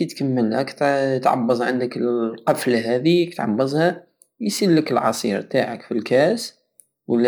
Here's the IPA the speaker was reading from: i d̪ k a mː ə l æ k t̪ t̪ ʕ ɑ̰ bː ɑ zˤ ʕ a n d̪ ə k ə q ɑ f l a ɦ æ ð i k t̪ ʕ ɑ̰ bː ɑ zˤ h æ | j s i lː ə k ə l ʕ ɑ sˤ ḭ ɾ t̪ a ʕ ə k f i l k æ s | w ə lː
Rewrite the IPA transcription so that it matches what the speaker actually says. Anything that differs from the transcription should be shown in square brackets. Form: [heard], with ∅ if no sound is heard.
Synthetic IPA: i [t̪] k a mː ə l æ k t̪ t̪ ʕ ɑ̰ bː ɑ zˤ ʕ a n d̪ ə k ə q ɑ f l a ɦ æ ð i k t̪ ʕ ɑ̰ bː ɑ zˤ h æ | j s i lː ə k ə l ʕ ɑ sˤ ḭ ɾ t̪ a ʕ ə k f i l k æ s | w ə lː